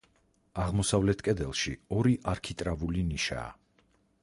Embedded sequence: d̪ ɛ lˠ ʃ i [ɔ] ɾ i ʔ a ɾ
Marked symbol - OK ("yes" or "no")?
yes